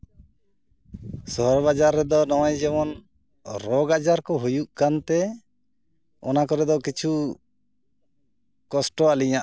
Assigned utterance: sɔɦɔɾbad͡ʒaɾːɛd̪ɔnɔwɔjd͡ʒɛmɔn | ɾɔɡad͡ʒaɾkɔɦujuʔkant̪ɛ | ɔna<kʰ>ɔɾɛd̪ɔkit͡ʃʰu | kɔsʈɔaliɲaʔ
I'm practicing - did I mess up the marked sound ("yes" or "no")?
yes